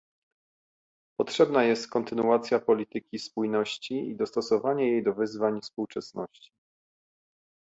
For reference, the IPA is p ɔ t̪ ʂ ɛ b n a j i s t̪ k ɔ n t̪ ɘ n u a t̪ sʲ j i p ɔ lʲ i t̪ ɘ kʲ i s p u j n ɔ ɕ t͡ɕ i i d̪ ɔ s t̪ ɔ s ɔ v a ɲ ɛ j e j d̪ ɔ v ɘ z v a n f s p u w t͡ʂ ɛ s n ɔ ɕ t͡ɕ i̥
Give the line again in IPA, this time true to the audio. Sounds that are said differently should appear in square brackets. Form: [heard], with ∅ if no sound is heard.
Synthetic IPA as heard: p ɔ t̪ ʂ ɛ b n a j [ɛ] s t̪ k ɔ n t̪ ɘ n u a t̪ sʲ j [a] p ɔ lʲ i t̪ ɘ kʲ i s p u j n ɔ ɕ t͡ɕ i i d̪ ɔ s t̪ ɔ s ɔ v a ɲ ɛ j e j d̪ ɔ v ɘ z v a [ɲ] f s p u w t͡ʂ ɛ s n ɔ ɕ t͡ɕ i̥